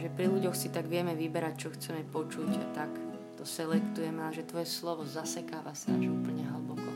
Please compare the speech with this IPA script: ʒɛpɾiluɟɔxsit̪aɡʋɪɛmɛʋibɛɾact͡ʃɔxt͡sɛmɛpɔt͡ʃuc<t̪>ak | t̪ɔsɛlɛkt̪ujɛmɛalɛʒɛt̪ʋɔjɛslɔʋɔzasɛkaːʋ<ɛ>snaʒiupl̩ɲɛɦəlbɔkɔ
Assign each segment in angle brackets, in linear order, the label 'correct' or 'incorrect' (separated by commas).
correct, incorrect